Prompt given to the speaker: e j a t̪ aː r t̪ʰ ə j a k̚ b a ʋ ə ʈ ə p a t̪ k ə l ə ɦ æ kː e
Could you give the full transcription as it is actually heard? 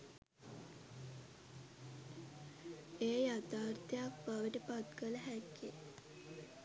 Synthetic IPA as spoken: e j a t̪ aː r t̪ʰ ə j a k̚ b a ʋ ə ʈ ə p a t̪ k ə l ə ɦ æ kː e